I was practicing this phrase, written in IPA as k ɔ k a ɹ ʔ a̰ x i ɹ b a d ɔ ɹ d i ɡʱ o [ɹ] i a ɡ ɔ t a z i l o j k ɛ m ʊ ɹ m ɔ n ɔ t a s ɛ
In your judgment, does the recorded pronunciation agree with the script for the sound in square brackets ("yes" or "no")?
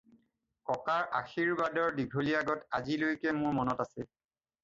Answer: no